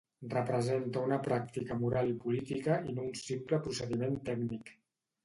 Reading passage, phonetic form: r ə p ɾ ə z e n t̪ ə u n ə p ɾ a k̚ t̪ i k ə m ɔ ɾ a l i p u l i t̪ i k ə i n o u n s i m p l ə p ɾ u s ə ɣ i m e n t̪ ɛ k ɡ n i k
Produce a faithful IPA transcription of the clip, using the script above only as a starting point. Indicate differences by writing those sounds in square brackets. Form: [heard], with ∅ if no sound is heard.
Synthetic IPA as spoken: r ə p ɾ ə z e n t̪ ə u n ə p ɾ a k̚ t̪ i k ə m [u] ɾ a l i p u l i t̪ i k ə i n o u n s i m p l ə p ɾ u s ə [ð] i m e n t̪ ɛ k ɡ n i k